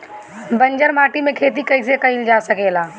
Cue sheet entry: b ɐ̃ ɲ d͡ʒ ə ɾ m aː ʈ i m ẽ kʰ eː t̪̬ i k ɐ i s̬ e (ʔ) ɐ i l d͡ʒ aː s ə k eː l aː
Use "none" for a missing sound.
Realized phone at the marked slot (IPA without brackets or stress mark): k